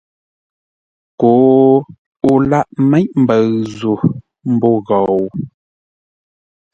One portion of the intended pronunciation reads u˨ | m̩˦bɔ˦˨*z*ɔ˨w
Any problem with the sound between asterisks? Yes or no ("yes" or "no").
yes